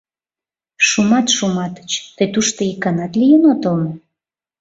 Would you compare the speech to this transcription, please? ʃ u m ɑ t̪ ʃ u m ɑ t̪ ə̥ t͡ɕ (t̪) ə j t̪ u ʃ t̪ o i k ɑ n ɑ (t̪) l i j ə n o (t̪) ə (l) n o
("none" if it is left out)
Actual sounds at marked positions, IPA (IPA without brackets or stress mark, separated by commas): t̪, t̪, t̪, l